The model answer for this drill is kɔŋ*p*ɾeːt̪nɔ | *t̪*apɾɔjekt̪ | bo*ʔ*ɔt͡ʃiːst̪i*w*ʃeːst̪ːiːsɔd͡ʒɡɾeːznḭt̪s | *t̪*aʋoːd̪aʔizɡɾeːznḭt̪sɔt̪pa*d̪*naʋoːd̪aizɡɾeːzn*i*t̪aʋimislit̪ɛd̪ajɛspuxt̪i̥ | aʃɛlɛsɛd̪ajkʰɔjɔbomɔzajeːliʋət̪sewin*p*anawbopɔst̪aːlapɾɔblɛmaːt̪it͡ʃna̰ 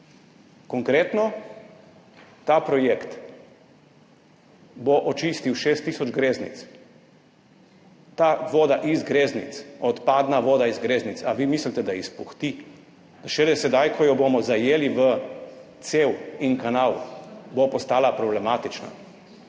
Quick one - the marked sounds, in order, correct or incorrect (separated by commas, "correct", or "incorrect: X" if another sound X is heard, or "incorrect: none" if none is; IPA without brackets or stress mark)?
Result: incorrect: k, correct, correct, correct, correct, correct, correct, incorrect: k